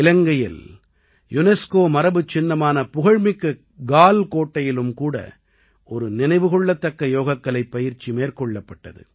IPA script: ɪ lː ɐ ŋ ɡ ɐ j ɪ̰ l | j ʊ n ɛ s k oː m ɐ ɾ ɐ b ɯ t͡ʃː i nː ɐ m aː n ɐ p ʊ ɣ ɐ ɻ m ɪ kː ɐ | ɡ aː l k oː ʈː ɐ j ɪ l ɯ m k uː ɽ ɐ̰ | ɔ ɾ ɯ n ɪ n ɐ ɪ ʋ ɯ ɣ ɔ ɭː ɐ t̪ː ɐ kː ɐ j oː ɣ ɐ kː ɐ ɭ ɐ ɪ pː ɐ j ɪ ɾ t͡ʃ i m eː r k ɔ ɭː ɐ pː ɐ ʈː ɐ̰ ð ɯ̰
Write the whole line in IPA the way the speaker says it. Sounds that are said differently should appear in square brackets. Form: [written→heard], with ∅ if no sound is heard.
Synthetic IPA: ɪ [lː→l] ɐ ŋ ɡ ɐ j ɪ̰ l | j ʊ n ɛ s k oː m ɐ ɾ ɐ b ɯ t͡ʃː [i→ɪ] nː ɐ m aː n ɐ p ʊ ɣ ɐ ɻ m ɪ kː ɐ | ɡ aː l k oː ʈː ɐ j ɪ l ɯ m k uː ɽ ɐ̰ | ɔ ɾ ɯ n ɪ n ɐ ɪ ʋ ɯ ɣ ɔ ɭː ɐ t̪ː ɐ kː ɐ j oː ɣ ɐ kː ɐ ɭ ɐ ɪ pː ɐ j ɪ ɾ t͡ʃ i m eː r k ɔ ɭː ɐ pː ɐ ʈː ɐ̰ ð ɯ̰

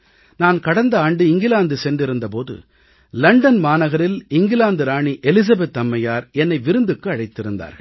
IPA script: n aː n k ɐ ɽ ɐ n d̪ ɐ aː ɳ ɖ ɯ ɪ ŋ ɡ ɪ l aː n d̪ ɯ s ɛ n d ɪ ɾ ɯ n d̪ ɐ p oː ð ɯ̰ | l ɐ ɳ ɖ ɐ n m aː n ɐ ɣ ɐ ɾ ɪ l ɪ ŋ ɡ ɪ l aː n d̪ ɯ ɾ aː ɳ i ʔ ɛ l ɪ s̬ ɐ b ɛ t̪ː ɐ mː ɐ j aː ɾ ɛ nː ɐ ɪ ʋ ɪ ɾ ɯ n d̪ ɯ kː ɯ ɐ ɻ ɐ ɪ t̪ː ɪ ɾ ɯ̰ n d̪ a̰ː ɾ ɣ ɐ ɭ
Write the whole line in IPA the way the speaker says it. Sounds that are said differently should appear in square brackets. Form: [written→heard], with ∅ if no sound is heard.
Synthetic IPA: n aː n k ɐ ɽ ɐ n d̪ ɐ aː ɳ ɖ ɯ ɪ ŋ ɡ ɪ l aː n d̪ ɯ s ɛ n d ɪ ɾ ɯ n d̪ ɐ p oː ð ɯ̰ | l ɐ ɳ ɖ ɐ n m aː n ɐ ɣ ɐ ɾ ɪ l ɪ ŋ ɡ ɪ l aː n d̪ ɯ ɾ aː ɳ i ʔ ɛ l ɪ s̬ ɐ b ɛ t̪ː ɐ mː ɐ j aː ɾ ɛ nː ɐ ɪ ʋ ɪ ɾ ɯ n d̪ ɯ kː ɯ ɐ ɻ ɐ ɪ t̪ː ɪ ɾ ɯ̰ n d̪ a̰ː ɾ ɣ ɐ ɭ

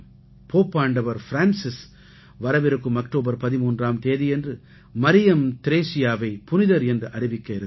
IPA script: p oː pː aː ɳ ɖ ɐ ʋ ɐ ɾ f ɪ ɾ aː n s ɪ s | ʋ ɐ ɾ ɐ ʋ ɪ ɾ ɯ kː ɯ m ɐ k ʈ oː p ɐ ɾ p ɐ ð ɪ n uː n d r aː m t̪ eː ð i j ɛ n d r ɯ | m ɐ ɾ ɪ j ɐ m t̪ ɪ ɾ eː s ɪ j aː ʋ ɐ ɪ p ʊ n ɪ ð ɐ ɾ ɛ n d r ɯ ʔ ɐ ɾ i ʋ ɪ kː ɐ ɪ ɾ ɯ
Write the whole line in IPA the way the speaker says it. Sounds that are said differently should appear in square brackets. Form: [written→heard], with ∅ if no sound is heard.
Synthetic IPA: p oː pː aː ɳ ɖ ɐ ʋ ɐ ɾ f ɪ ɾ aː n s ɪ s | ʋ ɐ ɾ ɐ ʋ ɪ ɾ ɯ kː ɯ m ɐ k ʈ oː [p→b] ɐ ɾ p ɐ ð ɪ [n→m] uː n d r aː m t̪ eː ð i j ɛ n d r ɯ | m ɐ ɾ ɪ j ɐ m t̪ ɪ ɾ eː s ɪ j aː ʋ ɐ ɪ p ʊ n ɪ ð ɐ ɾ ɛ n d r ɯ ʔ ɐ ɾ [i→ɪ] ʋ ɪ kː ɐ ɪ ɾ ɯ

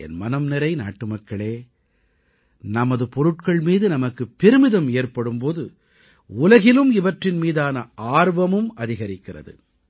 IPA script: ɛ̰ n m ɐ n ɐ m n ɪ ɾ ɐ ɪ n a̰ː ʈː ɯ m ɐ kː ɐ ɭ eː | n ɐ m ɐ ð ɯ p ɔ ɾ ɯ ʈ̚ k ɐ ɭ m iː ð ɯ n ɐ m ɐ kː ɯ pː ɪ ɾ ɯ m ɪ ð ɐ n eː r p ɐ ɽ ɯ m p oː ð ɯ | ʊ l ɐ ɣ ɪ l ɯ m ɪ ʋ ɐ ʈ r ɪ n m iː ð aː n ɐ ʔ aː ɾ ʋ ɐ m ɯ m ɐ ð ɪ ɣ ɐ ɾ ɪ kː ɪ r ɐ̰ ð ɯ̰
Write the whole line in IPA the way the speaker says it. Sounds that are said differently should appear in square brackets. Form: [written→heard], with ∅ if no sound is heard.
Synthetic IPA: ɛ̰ n m ɐ n ɐ m n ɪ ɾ ɐ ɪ n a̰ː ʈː ɯ m ɐ kː ɐ ɭ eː | n ɐ m ɐ ð ɯ p ɔ ɾ ɯ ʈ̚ k ɐ ɭ m iː ð ɯ n ɐ m ɐ kː ɯ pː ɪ ɾ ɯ m ɪ ð ɐ [n→m] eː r p ɐ ɽ ɯ m p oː ð ɯ | ʊ l ɐ ɣ ɪ l ɯ m ɪ ʋ ɐ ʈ r ɪ n m iː ð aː n ɐ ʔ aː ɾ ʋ ɐ m ɯ m ɐ ð ɪ ɣ ɐ ɾ ɪ kː ɪ r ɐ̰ ð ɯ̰

